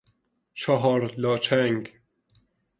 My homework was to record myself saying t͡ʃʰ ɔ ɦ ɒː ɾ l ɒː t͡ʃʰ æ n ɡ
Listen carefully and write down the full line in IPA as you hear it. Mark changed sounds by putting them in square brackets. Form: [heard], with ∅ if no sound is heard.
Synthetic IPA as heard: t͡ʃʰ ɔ ɦ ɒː ɾ l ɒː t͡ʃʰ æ [ŋ] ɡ